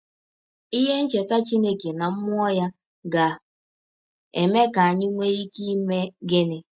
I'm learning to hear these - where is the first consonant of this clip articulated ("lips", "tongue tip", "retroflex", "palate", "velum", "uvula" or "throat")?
throat